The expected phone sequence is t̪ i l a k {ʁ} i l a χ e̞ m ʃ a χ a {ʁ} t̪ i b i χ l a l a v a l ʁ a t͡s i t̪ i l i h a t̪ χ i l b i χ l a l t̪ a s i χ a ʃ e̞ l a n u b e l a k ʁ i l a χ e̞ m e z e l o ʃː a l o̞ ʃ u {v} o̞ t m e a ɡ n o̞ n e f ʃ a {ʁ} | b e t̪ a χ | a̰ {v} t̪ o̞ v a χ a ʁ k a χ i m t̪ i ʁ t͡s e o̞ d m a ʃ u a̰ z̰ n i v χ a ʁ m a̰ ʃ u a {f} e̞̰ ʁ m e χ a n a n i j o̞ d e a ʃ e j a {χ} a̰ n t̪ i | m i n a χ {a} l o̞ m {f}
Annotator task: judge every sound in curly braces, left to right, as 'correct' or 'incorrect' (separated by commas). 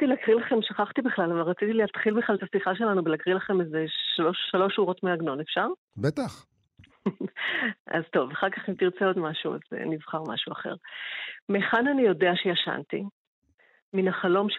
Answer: correct, incorrect, incorrect, correct, incorrect, incorrect, incorrect, correct, incorrect